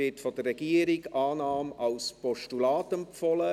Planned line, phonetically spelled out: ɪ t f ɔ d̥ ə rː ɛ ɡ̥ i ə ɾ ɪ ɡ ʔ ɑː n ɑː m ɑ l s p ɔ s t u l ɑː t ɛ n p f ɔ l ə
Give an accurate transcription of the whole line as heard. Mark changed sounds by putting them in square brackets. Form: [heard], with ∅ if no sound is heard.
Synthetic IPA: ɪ t f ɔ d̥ ə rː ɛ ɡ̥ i ə ɾ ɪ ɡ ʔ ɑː n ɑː m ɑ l s p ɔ [ʃ] t u l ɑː t ɛ [m] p f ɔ l ə